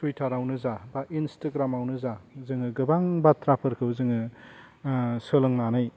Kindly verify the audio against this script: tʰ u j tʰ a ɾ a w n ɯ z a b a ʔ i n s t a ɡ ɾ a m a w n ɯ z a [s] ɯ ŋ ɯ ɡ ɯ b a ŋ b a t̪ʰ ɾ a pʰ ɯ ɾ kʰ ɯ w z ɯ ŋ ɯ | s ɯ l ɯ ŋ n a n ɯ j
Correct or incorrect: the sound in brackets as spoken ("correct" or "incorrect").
incorrect